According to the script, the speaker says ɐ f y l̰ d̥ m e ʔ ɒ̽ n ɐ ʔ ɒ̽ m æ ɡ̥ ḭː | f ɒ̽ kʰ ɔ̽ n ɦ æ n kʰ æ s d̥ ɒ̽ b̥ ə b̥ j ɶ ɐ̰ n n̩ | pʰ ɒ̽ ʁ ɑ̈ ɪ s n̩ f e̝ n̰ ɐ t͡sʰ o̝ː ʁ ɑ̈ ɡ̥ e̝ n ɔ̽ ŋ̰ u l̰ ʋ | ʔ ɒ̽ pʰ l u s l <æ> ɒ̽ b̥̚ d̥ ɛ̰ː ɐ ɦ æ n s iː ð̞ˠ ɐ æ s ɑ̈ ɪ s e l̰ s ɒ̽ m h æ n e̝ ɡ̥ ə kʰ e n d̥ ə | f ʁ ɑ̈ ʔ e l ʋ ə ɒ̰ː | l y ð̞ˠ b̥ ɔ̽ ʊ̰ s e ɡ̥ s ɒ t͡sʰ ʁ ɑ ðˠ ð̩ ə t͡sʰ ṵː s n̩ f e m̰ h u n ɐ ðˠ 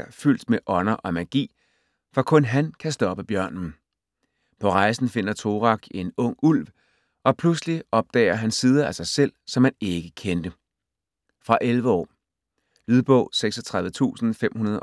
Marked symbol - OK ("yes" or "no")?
no